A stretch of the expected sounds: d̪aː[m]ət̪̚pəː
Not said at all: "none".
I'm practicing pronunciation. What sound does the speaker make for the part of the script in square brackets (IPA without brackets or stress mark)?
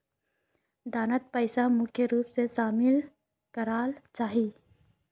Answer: n